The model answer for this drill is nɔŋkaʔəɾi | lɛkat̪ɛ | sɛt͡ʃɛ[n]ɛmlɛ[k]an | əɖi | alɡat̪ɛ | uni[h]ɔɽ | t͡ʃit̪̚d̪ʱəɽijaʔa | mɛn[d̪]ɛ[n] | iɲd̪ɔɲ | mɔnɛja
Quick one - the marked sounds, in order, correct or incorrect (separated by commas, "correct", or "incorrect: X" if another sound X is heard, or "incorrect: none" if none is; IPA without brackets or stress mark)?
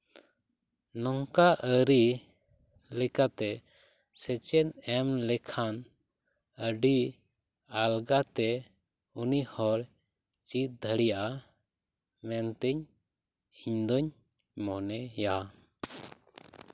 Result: correct, incorrect: kʰ, correct, incorrect: t̪, incorrect: ɲ